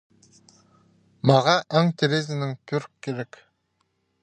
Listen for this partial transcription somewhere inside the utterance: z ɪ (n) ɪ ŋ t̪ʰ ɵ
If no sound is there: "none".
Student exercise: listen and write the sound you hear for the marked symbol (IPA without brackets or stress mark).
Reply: n